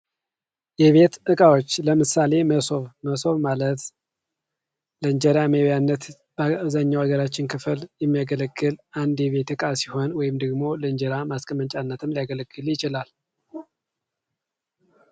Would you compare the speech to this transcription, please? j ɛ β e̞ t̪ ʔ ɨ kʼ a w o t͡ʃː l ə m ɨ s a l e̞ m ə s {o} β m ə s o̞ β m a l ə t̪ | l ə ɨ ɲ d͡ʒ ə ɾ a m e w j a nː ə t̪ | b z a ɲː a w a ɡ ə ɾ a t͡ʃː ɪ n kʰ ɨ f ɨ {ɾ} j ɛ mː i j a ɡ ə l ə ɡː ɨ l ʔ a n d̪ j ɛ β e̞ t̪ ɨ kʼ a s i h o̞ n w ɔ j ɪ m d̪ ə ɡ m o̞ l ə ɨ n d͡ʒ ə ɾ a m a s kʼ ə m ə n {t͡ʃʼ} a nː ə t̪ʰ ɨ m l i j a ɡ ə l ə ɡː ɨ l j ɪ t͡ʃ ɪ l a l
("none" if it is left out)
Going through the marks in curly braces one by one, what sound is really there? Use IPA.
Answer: o, l, t͡ʃʼ

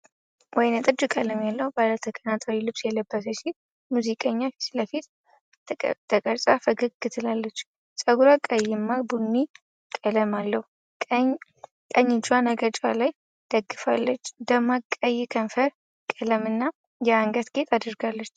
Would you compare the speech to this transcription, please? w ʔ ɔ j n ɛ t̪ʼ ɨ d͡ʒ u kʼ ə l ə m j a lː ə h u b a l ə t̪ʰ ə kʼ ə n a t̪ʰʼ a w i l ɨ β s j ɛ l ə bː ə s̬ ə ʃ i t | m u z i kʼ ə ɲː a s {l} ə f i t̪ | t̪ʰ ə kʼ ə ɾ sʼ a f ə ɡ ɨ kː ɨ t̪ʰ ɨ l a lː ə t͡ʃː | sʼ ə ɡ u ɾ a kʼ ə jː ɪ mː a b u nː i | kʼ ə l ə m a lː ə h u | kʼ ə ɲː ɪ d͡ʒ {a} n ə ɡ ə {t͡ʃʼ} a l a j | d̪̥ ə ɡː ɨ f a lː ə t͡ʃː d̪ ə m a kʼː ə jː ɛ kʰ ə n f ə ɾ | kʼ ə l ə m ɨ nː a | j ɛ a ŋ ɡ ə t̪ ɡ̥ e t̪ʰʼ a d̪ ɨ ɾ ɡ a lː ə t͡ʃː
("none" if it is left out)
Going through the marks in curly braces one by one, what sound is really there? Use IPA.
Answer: l, a, t͡ʃʼ

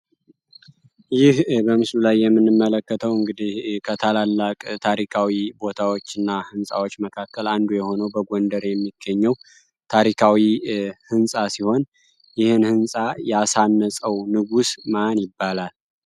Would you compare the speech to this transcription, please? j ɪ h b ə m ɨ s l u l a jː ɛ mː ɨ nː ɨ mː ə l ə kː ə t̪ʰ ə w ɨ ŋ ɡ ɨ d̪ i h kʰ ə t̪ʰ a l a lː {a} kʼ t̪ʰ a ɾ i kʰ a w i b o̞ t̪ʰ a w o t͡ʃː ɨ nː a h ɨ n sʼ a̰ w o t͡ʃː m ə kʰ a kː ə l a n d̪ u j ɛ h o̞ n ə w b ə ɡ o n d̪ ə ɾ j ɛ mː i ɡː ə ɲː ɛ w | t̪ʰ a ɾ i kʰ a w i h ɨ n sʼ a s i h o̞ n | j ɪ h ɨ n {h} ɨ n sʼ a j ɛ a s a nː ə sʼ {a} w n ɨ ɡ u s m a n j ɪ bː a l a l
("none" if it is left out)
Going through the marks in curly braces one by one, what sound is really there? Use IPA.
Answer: a, h, ə

